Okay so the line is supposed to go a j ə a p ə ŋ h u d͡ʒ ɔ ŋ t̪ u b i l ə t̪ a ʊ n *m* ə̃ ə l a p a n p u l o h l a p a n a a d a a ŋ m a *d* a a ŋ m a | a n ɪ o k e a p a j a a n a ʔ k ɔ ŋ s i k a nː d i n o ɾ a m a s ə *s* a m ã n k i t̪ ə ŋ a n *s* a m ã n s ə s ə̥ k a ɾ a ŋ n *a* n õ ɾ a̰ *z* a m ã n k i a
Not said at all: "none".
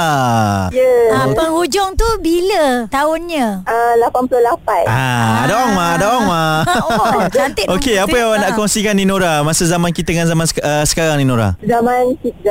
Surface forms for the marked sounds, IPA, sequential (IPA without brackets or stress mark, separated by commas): ɲ, d, z, z, i, z